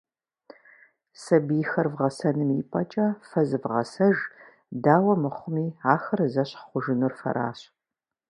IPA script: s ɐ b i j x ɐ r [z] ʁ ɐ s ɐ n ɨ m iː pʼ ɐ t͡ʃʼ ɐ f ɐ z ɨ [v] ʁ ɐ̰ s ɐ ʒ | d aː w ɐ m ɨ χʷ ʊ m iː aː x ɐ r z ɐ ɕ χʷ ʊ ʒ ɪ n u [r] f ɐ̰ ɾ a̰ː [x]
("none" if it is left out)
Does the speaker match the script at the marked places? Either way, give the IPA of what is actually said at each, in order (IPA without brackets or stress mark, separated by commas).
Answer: v, v, r, ɕ